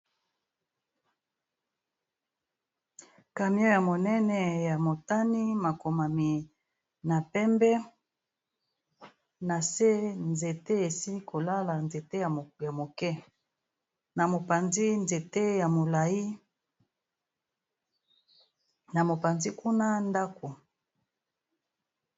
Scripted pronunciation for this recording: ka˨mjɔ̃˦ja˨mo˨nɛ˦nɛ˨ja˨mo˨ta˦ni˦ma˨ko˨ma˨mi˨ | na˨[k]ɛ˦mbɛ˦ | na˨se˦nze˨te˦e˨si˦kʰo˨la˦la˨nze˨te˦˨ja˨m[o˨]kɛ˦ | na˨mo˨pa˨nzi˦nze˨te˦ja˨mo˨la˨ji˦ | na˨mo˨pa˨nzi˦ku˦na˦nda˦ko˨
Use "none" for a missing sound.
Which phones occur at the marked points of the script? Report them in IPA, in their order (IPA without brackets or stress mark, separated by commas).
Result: p, o˨